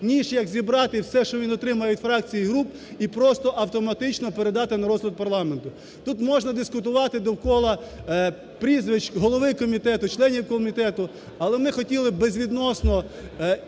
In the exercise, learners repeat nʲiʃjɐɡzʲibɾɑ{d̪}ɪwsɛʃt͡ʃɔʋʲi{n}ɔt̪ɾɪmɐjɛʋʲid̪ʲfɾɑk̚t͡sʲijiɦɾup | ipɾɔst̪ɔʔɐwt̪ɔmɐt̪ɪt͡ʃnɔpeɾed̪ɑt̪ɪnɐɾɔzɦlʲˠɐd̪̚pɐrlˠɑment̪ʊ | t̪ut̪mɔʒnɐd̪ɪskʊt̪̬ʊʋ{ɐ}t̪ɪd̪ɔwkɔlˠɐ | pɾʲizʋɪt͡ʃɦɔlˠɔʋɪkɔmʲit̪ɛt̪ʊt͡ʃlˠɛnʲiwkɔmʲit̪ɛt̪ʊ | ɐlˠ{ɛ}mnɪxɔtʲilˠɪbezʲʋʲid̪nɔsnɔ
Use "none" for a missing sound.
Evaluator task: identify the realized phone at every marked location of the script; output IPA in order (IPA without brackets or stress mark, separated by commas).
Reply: t̪, n, ɑ, ɛ